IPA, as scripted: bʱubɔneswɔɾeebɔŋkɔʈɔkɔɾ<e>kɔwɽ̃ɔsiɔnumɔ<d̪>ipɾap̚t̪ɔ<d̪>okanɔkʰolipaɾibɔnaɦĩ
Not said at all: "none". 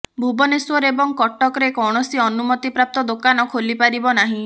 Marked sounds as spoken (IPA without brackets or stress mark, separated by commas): e, t̪, d̪